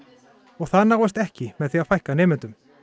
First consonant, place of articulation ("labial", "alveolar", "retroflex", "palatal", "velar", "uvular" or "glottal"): velar